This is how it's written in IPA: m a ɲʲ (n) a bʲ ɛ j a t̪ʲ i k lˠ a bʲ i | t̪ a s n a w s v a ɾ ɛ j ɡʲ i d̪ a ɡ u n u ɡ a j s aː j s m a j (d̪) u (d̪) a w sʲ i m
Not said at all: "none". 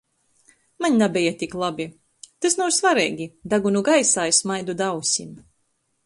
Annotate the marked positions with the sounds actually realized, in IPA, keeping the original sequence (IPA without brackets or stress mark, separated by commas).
n, d̪, d̪